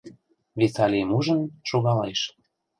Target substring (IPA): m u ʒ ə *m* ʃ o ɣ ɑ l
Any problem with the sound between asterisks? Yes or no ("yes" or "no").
yes